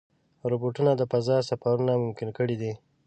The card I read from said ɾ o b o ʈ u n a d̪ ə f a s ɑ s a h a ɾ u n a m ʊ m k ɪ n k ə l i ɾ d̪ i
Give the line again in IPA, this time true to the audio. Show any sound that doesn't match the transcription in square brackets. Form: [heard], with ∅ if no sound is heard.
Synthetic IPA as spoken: ɾ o b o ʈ u n a d̪ ə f a [z] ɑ s a [f] a ɾ u n a m ʊ m k ɪ n k ə [ɽ] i [∅] d̪ i

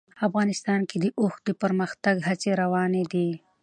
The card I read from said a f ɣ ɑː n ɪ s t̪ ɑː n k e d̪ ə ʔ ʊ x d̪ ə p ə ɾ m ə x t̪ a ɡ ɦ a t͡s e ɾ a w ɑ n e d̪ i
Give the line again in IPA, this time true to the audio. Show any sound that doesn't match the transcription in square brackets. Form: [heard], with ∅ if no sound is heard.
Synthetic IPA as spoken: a f ɣ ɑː n ɪ s t̪ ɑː n k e d̪ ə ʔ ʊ x d̪ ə p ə ɾ m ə x t̪ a ɡ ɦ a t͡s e ɾ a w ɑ n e d̪ i

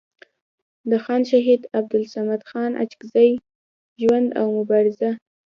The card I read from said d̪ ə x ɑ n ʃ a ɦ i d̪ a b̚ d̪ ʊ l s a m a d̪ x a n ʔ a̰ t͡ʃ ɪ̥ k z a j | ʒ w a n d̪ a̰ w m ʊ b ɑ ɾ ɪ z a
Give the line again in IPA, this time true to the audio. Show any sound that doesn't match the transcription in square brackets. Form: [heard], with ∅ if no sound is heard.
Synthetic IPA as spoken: d̪ ə x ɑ n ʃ a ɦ i d̪ a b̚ d̪ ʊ l s a m a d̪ x [ɑ] n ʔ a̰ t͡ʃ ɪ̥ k z a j | ʒ w a n d̪ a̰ w m ʊ b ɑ ɾ ɪ z a

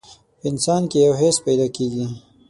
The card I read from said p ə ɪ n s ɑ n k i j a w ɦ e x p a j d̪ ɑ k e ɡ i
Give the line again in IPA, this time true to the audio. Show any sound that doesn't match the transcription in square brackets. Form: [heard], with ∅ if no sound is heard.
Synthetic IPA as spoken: p ə ɪ n s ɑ n k [e] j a w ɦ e [s] p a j d̪ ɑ k e ɡ i

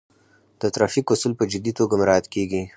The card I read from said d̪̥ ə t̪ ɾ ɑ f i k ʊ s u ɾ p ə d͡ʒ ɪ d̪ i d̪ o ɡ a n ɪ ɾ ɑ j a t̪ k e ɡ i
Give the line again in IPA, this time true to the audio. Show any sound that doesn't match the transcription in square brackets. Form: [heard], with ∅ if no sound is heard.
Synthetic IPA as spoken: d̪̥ ə t̪ ɾ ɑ f i k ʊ s u [l] p ə d͡ʒ ɪ d̪ i [t̪] o ɡ a [m] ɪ ɾ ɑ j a t̪ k e ɡ i

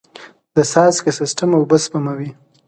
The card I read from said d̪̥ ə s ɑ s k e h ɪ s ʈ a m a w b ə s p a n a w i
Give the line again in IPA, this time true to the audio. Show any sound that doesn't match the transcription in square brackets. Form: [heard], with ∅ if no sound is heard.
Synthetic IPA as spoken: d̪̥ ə s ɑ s k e [s] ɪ s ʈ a m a w b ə s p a [m] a w i

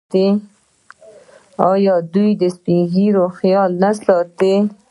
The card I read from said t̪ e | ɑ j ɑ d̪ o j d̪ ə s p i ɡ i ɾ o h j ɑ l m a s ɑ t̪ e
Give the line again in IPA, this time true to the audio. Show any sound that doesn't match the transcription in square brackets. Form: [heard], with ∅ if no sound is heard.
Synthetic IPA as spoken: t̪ e | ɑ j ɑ d̪ [u] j d̪ ə s p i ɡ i ɾ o [x] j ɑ l [n] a s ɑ t̪ e

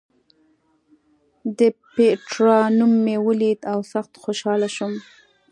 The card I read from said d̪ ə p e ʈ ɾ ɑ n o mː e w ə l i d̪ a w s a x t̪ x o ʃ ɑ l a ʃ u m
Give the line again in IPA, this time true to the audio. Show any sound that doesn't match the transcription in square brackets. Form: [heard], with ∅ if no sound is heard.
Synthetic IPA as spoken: d̪ ə p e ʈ ɾ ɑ n [u] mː e w ə l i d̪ a w s a x t̪ x o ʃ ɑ l a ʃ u m

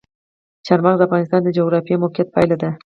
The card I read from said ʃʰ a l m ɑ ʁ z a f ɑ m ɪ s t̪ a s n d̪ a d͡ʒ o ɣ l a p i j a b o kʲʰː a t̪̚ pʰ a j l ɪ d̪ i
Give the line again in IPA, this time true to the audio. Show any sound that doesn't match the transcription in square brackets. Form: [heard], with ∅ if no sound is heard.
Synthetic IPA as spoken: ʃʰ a [ɾ] m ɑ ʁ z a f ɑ [n] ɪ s t̪ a [∅] n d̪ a d͡ʒ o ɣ [ɾ] a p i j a [m] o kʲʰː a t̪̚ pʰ a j l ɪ d̪ [ɪ]

